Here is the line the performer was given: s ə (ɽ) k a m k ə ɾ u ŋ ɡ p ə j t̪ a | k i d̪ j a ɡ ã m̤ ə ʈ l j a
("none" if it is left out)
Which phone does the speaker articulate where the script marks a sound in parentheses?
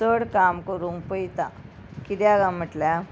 ɽ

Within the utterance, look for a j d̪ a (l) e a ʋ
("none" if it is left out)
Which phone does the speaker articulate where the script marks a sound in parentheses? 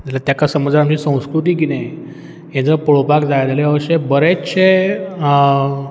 l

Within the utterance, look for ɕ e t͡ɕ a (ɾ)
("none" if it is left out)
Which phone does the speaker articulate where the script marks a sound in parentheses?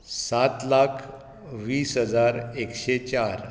ɾ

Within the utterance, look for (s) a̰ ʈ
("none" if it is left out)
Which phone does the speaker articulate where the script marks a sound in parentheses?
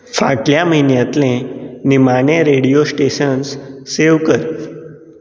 f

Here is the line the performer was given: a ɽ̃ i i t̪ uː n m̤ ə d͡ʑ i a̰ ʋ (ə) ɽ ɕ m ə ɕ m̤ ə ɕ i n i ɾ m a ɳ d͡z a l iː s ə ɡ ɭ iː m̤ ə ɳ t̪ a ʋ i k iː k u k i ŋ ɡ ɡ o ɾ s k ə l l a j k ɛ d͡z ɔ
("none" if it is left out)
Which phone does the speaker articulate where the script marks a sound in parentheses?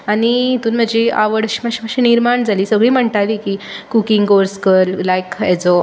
ə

